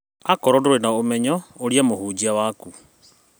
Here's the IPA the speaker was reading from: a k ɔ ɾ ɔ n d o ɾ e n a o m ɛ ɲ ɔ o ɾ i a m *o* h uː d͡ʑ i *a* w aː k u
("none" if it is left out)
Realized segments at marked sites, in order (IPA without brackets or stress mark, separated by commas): o, a